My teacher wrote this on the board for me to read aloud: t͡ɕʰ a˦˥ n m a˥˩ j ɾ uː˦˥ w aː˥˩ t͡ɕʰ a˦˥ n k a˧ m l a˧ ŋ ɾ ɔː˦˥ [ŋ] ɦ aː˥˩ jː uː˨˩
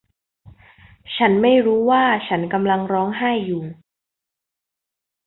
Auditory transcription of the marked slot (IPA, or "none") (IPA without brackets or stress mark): ŋ